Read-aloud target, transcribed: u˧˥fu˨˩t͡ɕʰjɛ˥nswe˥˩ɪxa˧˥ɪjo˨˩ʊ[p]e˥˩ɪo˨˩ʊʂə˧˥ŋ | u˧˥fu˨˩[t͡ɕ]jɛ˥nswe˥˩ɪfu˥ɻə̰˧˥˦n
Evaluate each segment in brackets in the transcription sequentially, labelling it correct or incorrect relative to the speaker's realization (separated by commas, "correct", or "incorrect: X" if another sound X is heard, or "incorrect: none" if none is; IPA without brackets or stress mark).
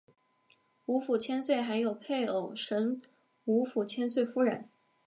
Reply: incorrect: pʰ, incorrect: t͡ɕʰ